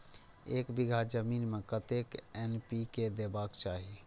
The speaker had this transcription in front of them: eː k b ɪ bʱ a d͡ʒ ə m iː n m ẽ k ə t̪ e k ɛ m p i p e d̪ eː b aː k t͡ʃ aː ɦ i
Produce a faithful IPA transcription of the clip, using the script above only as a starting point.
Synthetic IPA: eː k b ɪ ɡʱ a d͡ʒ ə m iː n m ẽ k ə t̪ e k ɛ n p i k e d̪ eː b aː k t͡ʃ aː ɦ i